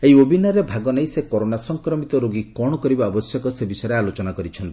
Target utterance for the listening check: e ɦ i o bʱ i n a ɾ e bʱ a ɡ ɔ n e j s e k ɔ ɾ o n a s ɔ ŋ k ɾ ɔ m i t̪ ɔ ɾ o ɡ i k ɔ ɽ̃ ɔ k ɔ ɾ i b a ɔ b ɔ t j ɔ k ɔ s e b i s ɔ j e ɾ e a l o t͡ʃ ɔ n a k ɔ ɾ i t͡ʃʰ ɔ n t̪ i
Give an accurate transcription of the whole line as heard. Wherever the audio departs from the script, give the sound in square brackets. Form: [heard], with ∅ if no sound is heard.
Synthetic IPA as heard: e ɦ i o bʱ i n a ɾ e bʱ a ɡ ɔ n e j s e k ɔ ɾ o n a s ɔ ŋ k ɾ ɔ m i t̪ ɔ ɾ o ɡ i k ɔ ɽ̃ ɔ k ɔ ɾ i b a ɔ b ɔ [s] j ɔ k ɔ s e b i s ɔ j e ɾ e a l o t͡ʃ ɔ n a k ɔ ɾ i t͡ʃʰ ɔ n t̪ i